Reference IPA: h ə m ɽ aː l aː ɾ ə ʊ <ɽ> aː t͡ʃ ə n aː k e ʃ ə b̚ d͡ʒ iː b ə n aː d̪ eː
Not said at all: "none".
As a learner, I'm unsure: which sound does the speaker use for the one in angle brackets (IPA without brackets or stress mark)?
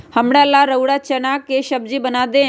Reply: ɽ